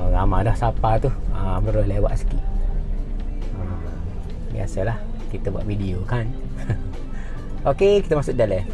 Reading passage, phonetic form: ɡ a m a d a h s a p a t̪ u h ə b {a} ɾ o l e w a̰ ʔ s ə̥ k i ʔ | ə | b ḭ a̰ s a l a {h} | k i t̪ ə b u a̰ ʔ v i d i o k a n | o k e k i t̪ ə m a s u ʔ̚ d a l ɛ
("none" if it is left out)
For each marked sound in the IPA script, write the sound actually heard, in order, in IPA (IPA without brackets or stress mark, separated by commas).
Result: ə, h